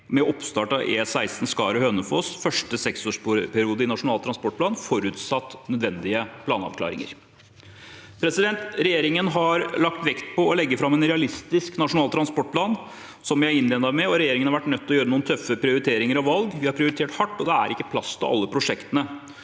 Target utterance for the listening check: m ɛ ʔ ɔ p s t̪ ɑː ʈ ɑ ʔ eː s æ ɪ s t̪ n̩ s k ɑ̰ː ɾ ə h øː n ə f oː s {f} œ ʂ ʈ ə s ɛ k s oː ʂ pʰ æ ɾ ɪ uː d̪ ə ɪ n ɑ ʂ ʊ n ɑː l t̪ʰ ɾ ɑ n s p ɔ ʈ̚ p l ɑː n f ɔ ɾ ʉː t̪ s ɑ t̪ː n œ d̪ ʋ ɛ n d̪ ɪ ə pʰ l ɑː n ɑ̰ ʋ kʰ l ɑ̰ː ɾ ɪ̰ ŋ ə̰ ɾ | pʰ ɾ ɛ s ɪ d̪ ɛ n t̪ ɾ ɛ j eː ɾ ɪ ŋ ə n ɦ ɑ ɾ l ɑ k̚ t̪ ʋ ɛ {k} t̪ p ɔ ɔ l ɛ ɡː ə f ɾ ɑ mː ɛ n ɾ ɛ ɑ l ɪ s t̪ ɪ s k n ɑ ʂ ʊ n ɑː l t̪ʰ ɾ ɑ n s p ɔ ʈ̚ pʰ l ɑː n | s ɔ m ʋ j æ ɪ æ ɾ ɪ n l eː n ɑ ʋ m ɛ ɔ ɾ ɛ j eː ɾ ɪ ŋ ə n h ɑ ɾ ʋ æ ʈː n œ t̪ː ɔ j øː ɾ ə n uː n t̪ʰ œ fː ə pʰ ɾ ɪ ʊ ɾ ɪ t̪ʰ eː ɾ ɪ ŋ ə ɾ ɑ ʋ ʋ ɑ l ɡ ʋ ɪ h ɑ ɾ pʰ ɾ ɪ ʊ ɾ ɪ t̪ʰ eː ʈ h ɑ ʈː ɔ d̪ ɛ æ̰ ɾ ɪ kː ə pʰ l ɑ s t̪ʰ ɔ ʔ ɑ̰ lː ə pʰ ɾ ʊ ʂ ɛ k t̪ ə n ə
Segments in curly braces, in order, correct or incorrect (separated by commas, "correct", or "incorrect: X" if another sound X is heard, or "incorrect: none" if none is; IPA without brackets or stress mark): correct, correct